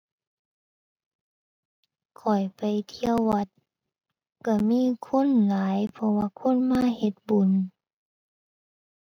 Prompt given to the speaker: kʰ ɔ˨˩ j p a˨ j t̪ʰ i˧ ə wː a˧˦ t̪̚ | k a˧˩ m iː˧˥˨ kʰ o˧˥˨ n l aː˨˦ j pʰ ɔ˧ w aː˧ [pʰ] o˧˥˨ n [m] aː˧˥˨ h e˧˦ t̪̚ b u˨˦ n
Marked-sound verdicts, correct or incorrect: incorrect: kʰ, correct

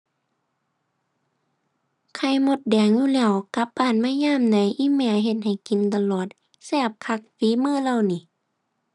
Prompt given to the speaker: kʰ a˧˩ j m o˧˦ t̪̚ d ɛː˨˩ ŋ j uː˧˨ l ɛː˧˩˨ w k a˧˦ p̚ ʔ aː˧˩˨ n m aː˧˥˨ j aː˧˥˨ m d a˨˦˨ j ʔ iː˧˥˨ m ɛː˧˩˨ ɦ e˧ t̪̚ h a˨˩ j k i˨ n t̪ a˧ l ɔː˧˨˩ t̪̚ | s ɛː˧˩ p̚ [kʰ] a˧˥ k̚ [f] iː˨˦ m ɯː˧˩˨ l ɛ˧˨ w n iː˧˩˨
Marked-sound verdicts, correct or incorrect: correct, correct

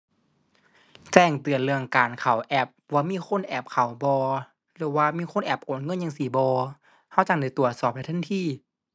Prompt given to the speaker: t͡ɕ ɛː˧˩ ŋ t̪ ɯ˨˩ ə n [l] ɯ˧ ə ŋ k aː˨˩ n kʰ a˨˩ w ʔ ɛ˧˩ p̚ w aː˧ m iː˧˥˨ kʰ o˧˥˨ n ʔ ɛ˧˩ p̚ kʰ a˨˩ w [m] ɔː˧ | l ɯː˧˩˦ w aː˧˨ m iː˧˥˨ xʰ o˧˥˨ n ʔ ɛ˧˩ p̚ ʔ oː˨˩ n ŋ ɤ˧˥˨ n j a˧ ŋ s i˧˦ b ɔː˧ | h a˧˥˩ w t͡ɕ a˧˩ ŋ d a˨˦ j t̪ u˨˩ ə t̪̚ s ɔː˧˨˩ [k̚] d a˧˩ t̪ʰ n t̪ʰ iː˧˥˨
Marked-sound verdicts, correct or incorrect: correct, incorrect: b, incorrect: p̚

